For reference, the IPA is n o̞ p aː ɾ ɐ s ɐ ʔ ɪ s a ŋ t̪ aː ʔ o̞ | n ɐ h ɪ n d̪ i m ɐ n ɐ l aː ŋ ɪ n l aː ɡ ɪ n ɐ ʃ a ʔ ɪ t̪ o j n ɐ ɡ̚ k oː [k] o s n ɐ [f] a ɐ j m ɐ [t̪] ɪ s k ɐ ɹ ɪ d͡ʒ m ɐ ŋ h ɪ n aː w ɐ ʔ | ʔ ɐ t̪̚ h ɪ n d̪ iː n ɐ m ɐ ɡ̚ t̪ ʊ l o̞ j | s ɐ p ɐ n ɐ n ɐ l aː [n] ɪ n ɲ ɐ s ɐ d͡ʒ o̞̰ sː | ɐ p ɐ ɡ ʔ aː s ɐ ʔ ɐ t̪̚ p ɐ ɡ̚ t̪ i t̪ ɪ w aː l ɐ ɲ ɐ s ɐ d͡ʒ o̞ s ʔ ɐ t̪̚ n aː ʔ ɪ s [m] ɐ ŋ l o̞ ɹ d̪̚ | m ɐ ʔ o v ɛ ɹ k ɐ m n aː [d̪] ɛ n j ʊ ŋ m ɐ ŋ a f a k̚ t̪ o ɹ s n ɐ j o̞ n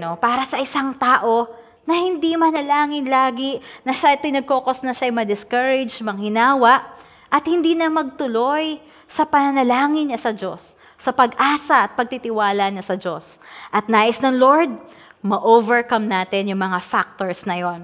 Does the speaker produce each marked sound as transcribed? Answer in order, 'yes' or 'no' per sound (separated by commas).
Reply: yes, no, no, no, no, no